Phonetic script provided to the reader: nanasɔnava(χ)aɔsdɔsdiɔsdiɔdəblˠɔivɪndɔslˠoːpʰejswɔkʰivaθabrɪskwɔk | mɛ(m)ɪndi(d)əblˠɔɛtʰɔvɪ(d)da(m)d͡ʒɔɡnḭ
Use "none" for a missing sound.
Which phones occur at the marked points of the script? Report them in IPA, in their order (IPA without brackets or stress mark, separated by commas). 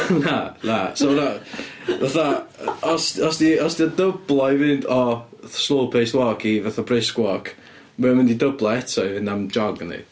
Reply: θ, m, d, n, m